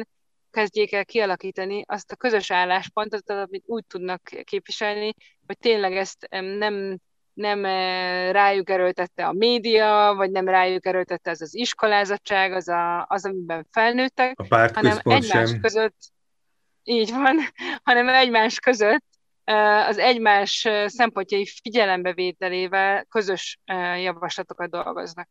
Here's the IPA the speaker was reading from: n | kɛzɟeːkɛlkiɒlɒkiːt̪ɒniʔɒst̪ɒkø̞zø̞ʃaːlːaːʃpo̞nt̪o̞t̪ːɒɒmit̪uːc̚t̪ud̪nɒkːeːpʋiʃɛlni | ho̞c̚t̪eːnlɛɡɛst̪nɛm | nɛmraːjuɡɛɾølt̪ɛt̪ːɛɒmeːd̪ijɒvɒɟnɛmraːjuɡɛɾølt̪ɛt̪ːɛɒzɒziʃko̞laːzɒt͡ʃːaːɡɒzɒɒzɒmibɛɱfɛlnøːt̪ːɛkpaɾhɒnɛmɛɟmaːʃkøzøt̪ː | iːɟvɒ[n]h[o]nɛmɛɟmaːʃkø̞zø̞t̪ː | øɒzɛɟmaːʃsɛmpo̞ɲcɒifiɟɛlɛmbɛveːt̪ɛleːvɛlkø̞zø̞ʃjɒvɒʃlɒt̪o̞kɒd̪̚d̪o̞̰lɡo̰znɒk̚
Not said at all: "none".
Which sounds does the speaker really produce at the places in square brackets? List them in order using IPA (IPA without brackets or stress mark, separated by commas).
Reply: n, ɒ